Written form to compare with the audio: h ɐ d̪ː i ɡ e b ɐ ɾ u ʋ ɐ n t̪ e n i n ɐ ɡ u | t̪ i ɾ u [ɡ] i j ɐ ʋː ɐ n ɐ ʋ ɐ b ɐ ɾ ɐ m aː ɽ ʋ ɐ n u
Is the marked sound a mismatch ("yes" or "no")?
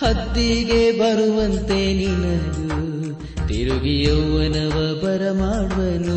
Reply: no